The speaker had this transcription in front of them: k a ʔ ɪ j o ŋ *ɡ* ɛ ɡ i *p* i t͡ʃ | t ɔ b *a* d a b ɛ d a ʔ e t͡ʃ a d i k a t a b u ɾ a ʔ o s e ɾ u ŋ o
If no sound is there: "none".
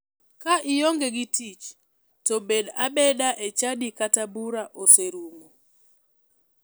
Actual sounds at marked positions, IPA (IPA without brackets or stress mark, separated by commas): ɡ, t, e